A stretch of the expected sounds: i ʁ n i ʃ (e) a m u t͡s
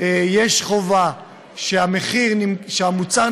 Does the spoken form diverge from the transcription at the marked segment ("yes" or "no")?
no